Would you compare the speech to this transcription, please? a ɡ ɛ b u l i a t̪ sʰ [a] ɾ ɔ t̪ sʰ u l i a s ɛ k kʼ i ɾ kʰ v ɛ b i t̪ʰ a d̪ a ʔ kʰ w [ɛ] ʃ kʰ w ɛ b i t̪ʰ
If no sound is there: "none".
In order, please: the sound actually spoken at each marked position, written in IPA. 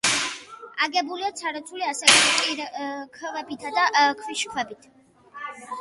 a, i

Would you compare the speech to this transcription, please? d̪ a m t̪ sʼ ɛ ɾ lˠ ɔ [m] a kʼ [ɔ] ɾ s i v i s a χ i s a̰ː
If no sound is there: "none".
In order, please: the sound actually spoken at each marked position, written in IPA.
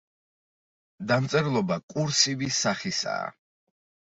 b, u

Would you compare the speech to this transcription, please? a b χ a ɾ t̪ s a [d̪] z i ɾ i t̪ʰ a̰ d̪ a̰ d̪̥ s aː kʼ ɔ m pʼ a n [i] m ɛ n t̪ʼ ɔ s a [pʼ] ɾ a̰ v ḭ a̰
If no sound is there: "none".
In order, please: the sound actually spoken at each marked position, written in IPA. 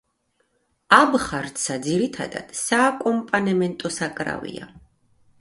d̪, ɛ, kʼ

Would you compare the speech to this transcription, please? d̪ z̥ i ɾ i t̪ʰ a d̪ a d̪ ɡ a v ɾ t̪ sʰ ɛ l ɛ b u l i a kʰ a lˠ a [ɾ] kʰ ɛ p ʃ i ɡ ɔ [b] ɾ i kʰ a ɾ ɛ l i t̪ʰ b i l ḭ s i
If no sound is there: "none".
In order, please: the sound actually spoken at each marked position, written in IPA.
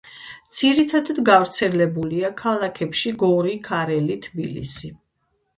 none, none

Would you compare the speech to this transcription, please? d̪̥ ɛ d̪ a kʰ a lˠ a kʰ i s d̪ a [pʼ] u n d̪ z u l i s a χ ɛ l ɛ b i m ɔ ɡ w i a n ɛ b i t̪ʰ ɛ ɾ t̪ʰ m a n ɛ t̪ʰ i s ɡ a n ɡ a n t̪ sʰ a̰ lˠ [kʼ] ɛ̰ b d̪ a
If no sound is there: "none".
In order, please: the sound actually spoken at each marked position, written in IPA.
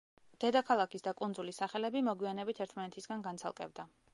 kʼ, kʼ

